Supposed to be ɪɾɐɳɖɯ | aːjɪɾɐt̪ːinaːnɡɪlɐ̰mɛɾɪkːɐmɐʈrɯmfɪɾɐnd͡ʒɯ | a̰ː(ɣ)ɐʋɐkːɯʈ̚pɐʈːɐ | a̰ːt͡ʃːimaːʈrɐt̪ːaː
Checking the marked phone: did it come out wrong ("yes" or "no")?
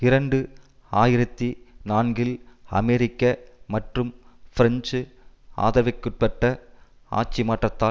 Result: yes